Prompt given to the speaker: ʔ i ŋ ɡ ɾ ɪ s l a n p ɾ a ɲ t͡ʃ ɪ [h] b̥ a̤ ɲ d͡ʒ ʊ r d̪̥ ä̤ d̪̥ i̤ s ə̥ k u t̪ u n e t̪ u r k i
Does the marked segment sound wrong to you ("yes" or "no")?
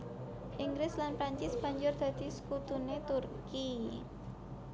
yes